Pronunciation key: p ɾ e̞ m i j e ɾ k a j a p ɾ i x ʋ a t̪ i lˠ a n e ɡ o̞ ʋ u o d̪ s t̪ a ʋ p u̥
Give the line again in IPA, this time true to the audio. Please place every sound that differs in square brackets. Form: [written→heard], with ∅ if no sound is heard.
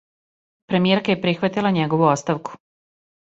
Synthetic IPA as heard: p ɾ e̞ m i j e ɾ k a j [a→e] p ɾ i x ʋ a t̪ i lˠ a [n→ɲ] e ɡ o̞ ʋ u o [d̪→t̪] s t̪ a ʋ [p→k] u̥